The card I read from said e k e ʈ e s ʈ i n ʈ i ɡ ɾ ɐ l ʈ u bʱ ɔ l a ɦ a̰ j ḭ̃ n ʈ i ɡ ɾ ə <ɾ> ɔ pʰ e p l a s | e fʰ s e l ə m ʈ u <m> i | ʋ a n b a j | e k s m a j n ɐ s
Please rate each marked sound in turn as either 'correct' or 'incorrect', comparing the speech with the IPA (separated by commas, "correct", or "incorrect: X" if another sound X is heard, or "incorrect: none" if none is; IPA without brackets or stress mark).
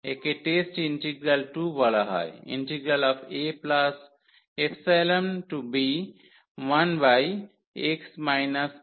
incorrect: l, incorrect: b